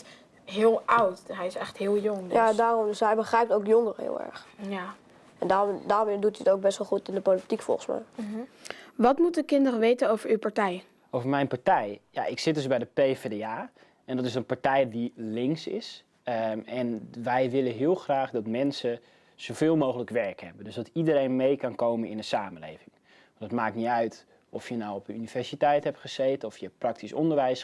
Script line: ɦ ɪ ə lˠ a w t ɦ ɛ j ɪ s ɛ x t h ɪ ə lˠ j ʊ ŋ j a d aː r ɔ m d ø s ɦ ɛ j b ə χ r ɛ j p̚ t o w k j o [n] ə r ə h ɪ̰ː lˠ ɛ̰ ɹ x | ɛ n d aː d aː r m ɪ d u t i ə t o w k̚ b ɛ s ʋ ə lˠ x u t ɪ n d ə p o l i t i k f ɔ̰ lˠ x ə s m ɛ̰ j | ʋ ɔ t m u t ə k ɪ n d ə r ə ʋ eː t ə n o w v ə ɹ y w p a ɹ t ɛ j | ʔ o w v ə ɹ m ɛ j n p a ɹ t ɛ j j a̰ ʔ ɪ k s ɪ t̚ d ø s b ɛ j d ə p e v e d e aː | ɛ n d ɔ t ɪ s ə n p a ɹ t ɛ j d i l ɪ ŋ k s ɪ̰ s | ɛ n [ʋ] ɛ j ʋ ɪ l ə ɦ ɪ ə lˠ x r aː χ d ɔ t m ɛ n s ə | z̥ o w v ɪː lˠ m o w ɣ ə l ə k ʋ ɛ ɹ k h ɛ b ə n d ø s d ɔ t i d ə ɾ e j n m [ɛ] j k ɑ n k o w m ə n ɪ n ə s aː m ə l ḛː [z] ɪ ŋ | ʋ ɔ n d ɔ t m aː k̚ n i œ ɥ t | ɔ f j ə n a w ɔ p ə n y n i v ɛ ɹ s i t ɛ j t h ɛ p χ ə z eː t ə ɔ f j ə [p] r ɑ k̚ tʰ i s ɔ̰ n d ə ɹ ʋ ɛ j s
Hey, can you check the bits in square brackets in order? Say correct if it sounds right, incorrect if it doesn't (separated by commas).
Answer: incorrect, correct, incorrect, incorrect, correct